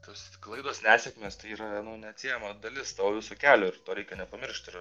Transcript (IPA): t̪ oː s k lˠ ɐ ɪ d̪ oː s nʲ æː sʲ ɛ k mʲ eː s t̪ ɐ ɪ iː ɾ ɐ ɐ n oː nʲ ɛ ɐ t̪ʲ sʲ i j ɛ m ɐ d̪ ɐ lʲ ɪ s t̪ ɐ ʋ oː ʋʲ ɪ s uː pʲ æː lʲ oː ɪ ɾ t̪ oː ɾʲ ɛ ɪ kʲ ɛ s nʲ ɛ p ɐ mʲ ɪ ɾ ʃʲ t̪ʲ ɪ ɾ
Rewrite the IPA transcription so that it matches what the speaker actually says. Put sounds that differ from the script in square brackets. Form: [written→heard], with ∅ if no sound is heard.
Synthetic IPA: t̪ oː s k lˠ ɐ ɪ d̪ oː s nʲ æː sʲ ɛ k mʲ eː s t̪ ɐ ɪ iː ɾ ɐ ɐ n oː nʲ ɛ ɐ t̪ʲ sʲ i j ɛ m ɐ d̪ ɐ lʲ ɪ s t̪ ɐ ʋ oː ʋʲ ɪ s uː [pʲ→kʲ] æː lʲ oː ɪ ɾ t̪ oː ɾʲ ɛ ɪ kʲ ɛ [s→∅] nʲ ɛ p ɐ mʲ ɪ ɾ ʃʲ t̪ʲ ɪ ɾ

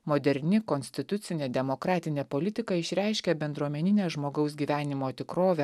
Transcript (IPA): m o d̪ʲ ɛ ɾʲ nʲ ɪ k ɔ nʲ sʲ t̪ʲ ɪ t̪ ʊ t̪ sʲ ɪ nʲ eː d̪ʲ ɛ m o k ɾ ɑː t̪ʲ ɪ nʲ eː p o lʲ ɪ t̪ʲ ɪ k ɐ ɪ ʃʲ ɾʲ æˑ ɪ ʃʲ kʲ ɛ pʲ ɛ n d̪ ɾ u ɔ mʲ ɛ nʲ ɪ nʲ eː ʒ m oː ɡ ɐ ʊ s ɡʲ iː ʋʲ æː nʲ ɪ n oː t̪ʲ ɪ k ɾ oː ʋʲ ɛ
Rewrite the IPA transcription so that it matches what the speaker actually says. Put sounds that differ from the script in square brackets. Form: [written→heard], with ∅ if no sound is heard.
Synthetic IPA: m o d̪ʲ ɛ ɾʲ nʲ ɪ k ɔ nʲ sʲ t̪ʲ ɪ t̪ ʊ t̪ sʲ ɪ nʲ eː d̪ʲ ɛ m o k ɾ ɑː t̪ʲ ɪ nʲ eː p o lʲ ɪ t̪ʲ ɪ k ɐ ɪ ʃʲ ɾʲ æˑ ɪ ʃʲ kʲ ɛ [pʲ→bʲ] ɛ n d̪ ɾ u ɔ mʲ ɛ nʲ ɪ nʲ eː ʒ m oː ɡ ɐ ʊ s ɡʲ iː ʋʲ æː nʲ ɪ [n→m] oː t̪ʲ ɪ k ɾ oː ʋʲ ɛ

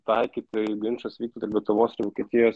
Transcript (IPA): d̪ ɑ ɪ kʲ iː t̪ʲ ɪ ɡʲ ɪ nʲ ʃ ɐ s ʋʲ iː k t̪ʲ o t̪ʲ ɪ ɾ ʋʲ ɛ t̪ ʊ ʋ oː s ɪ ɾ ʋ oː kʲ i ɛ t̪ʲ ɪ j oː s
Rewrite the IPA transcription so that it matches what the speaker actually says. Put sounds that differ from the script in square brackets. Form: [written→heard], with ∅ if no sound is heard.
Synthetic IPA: [d̪→t̪] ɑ ɪ kʲ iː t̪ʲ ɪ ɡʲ ɪ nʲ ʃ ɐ s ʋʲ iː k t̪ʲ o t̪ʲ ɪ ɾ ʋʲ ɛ t̪ ʊ ʋ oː s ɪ ɾ ʋ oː kʲ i ɛ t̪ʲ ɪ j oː s

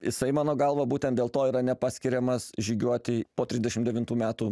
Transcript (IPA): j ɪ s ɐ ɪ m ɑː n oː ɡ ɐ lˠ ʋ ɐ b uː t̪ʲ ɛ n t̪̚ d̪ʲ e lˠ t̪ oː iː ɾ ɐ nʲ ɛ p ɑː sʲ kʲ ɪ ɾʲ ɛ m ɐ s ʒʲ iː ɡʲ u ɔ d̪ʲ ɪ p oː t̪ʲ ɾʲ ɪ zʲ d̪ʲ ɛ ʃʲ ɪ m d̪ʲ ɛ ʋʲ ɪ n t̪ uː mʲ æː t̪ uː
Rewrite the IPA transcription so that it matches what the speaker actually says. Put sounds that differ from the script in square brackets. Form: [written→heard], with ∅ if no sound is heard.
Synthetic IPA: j ɪ s ɐ ɪ m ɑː n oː ɡ ɐ lˠ ʋ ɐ b uː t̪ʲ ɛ n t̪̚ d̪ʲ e lˠ t̪ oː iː ɾ ɐ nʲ ɛ p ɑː sʲ kʲ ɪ ɾʲ ɛ m ɐ s ʒʲ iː ɡʲ u ɔ [d̪ʲ→t̪ʲ] ɪ p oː t̪ʲ ɾʲ ɪ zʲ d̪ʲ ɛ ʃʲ ɪ m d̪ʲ ɛ ʋʲ ɪ n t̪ uː mʲ æː t̪ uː

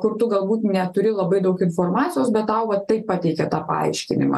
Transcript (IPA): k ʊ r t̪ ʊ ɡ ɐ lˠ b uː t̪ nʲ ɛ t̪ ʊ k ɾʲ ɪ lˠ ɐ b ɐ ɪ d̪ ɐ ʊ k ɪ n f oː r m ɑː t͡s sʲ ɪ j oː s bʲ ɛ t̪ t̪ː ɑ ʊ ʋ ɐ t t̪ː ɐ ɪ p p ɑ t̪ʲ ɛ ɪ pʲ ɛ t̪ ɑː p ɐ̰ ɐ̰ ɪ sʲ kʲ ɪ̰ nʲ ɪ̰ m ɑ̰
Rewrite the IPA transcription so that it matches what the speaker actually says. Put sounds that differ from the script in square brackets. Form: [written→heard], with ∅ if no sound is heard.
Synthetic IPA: k ʊ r t̪ ʊ ɡ ɐ lˠ b uː t̪ nʲ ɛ t̪ ʊ [k→∅] ɾʲ ɪ lˠ ɐ b ɐ ɪ d̪ ɐ ʊ k ɪ n f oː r m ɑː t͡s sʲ ɪ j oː s bʲ ɛ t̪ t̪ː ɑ ʊ ʋ ɐ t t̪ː ɐ ɪ p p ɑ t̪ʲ ɛ ɪ [pʲ→kʲ] ɛ t̪ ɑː p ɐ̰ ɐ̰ ɪ [sʲ→ʃʲ] kʲ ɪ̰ nʲ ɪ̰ m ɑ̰

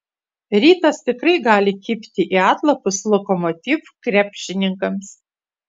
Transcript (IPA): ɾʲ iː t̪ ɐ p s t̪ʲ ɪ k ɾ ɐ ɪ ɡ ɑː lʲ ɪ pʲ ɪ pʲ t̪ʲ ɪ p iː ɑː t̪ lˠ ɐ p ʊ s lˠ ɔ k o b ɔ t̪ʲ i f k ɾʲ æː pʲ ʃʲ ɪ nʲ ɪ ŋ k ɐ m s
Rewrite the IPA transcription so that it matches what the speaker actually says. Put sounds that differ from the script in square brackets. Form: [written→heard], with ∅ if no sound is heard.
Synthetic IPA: ɾʲ iː t̪ ɐ [p→∅] s t̪ʲ ɪ k ɾ ɐ ɪ ɡ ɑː lʲ ɪ [pʲ→kʲ] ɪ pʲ t̪ʲ ɪ [p→ʔ] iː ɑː t̪ lˠ ɐ p ʊ s lˠ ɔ k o [b→m] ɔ t̪ʲ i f k ɾʲ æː pʲ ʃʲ ɪ nʲ ɪ ŋ k ɐ m s

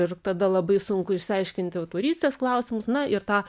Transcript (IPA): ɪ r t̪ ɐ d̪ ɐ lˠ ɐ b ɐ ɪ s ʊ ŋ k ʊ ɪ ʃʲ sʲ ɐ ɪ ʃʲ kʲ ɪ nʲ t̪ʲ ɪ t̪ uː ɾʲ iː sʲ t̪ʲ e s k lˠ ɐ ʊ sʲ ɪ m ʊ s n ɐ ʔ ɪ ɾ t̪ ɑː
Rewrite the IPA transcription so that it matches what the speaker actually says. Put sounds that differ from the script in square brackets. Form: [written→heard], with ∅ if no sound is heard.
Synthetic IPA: ɪ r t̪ ɐ d̪ ɐ lˠ ɐ b ɐ ɪ s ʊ ŋ k ʊ ɪ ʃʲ sʲ ɐ ɪ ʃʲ kʲ ɪ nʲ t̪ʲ ɪ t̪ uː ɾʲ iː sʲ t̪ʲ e s k lˠ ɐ ʊ sʲ ɪ m ʊ s n ɐ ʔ ɪ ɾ t̪ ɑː

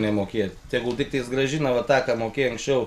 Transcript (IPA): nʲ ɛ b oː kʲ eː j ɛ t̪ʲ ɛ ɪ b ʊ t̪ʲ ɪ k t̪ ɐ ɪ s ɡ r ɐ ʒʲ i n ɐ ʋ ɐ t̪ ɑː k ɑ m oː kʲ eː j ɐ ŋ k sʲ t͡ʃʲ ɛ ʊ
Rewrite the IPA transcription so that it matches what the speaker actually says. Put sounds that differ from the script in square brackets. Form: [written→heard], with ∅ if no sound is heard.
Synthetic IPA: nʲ ɛ [b→m] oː kʲ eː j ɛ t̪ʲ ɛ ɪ [b→ɡ] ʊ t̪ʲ ɪ k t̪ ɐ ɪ s ɡ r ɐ ʒʲ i n ɐ ʋ ɐ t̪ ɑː k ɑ m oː kʲ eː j ɐ ŋ k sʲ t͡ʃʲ ɛ ʊ

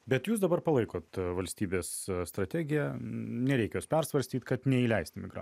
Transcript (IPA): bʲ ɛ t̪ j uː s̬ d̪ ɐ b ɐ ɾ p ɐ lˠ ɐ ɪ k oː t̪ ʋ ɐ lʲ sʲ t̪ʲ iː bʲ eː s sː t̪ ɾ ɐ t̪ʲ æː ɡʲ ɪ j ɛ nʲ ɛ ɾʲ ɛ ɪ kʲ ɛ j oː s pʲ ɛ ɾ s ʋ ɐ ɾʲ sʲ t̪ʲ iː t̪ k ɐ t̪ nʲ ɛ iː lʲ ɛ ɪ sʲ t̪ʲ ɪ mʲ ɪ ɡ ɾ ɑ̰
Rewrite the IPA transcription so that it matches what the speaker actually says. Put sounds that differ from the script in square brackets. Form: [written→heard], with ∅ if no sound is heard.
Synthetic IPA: bʲ ɛ t̪ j uː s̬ d̪ ɐ b ɐ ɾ p ɐ lˠ ɐ ɪ k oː t̪ ʋ ɐ lʲ sʲ t̪ʲ iː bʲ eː s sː t̪ ɾ ɐ t̪ʲ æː ɡʲ ɪ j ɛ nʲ ɛ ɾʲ ɛ ɪ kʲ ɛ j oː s pʲ ɛ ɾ s ʋ ɐ ɾʲ sʲ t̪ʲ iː t̪ k ɐ t̪ nʲ ɛ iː lʲ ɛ ɪ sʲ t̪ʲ ɪ mʲ ɪ ɡ ɾ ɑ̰

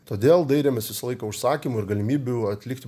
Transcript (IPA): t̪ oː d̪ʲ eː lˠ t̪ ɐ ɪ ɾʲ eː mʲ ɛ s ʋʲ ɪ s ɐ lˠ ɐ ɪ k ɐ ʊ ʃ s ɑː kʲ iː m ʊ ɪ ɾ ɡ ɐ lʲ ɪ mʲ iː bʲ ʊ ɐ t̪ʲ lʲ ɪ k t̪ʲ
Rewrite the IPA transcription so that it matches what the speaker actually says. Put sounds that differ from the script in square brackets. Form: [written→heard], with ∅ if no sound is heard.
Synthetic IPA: t̪ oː d̪ʲ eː lˠ [t̪→d̪] ɐ ɪ ɾʲ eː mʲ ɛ s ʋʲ ɪ s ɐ lˠ ɐ ɪ k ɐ ʊ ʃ s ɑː kʲ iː m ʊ ɪ ɾ ɡ ɐ lʲ ɪ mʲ iː bʲ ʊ ɐ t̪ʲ lʲ ɪ k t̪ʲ

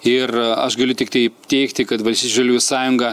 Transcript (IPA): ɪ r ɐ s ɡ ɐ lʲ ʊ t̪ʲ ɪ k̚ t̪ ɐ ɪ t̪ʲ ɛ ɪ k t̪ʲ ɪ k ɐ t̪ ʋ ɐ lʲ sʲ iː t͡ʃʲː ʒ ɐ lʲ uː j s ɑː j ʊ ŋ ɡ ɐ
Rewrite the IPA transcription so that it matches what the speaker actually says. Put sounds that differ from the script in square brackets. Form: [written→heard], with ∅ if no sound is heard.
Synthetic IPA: ɪ r ɐ [s→ʃ] ɡ ɐ lʲ ʊ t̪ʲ ɪ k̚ t̪ ɐ ɪ t̪ʲ ɛ ɪ k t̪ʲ ɪ k ɐ t̪ ʋ ɐ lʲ sʲ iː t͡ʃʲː ʒ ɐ lʲ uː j s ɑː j ʊ ŋ ɡ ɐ

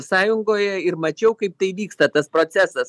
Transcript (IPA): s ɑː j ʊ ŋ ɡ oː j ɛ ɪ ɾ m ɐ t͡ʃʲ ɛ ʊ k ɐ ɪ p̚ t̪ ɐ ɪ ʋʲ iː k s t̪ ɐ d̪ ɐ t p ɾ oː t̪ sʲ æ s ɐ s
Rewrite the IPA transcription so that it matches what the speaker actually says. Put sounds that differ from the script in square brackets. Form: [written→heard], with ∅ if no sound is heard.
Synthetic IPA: s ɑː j ʊ ŋ ɡ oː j ɛ ɪ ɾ m ɐ t͡ʃʲ ɛ ʊ k ɐ ɪ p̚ t̪ ɐ ɪ ʋʲ iː k s t̪ ɐ [d̪→t̪] ɐ [t→s] p ɾ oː t̪ sʲ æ s ɐ s

